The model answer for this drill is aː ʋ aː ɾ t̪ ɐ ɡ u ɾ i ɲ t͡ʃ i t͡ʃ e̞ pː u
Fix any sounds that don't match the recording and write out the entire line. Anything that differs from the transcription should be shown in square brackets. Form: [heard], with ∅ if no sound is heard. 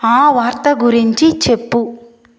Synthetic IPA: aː ʋ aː ɾ t̪ ɐ ɡ u ɾ i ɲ t͡ʃ i t͡ʃ e̞ pː u